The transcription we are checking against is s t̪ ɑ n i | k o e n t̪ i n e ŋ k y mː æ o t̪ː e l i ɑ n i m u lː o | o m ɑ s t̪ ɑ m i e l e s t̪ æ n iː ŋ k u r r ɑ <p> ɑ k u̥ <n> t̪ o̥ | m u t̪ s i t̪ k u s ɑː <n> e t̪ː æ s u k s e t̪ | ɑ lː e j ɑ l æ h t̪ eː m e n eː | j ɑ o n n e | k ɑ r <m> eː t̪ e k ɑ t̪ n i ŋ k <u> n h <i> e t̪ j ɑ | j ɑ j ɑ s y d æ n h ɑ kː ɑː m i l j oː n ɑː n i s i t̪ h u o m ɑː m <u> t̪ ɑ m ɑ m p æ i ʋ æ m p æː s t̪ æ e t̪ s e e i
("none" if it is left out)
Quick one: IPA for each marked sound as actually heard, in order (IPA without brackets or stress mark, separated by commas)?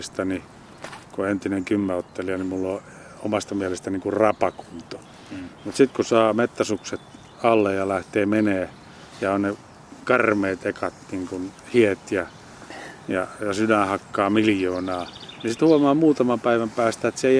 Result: p, n, m, m, u, i, uː